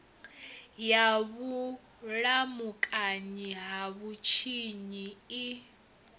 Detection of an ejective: present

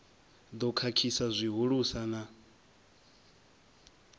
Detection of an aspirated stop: present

